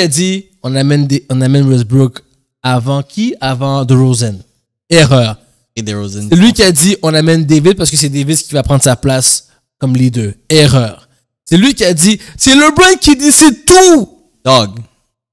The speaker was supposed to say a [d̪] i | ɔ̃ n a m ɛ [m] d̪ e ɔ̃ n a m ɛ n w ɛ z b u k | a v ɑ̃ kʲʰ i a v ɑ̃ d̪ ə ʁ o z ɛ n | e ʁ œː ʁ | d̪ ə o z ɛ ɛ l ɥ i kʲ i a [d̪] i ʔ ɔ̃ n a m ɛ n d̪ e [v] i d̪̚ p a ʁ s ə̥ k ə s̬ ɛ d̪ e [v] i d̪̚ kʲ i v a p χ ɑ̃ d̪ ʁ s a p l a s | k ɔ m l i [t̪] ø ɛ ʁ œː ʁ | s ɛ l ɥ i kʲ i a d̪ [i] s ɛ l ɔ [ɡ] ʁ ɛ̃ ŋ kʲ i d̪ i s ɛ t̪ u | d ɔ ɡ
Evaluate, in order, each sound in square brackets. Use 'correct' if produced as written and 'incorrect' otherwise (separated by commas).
correct, incorrect, correct, correct, correct, incorrect, correct, incorrect